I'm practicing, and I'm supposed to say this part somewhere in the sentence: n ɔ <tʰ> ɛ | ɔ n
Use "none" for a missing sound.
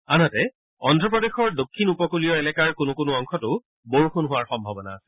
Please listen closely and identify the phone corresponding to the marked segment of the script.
t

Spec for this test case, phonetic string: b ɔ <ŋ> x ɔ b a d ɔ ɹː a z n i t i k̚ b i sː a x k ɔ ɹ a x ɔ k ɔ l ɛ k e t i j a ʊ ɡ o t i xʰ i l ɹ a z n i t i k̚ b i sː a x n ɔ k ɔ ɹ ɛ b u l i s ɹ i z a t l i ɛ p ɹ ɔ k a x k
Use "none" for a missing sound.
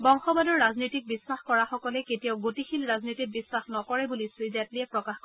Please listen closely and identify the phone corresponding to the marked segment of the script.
ŋ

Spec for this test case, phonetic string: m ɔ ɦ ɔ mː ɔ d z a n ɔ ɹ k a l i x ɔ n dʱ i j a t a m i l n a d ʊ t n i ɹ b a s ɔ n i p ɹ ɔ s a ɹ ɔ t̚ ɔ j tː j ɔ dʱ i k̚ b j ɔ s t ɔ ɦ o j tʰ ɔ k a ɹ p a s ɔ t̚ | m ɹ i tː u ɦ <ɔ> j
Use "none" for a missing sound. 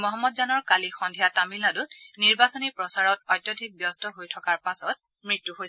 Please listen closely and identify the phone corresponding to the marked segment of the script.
o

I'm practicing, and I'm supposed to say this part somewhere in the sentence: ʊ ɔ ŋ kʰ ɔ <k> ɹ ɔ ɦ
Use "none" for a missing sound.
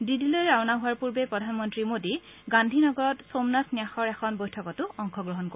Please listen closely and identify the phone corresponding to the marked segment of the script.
ɡ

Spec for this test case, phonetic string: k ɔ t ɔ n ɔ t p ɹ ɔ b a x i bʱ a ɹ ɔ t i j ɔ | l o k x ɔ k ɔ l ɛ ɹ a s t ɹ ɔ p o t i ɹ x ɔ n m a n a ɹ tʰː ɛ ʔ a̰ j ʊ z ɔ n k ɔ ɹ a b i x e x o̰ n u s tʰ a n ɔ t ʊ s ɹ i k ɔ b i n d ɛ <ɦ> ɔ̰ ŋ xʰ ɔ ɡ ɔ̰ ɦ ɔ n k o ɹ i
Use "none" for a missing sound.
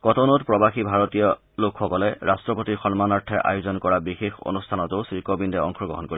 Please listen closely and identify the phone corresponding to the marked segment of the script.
none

